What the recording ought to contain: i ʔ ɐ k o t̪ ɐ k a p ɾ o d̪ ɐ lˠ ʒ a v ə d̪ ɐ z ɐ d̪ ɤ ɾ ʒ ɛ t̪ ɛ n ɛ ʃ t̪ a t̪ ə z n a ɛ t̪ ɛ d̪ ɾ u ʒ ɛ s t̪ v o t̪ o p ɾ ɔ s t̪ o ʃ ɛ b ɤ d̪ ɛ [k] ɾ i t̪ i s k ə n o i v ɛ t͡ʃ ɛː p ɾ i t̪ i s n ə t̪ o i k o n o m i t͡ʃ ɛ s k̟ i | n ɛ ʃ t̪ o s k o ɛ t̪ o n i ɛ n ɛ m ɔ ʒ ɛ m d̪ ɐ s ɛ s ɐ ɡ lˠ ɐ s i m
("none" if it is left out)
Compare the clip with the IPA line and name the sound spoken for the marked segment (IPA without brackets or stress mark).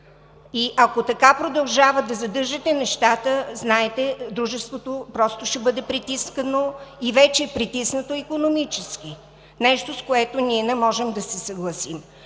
p